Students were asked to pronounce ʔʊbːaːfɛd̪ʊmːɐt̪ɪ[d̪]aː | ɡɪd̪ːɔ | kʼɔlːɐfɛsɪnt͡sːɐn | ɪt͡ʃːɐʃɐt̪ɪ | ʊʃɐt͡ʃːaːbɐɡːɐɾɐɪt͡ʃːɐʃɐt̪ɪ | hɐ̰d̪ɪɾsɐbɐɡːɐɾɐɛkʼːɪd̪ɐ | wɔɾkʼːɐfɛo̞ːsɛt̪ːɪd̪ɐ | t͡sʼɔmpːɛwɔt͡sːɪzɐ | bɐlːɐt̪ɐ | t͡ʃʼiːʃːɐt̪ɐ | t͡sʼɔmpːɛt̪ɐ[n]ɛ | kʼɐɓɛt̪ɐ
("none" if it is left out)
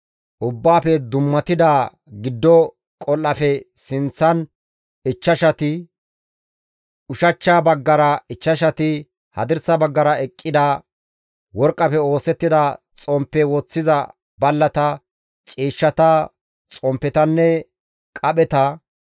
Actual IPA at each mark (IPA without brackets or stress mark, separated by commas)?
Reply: d̪, nː